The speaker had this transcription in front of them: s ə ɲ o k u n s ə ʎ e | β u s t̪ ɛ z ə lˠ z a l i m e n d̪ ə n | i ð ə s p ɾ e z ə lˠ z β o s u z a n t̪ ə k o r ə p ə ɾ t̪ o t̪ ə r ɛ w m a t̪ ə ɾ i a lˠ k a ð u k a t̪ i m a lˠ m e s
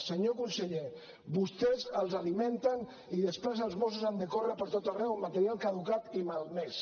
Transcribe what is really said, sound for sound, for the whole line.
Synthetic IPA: s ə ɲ o k u n s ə ʎ e | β u s t̪ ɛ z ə lˠ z a l i m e n t̪ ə n | i ð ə s p ɾ e z ə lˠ z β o s u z a n d̪ ə k o r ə p ə ɾ t̪ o t̪ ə r ɛ w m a t̪ ə ɾ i a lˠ k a ð u k a t̪ i m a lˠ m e s